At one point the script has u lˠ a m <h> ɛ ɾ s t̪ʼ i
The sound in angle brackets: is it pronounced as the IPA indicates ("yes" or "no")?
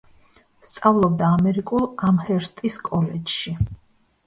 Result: yes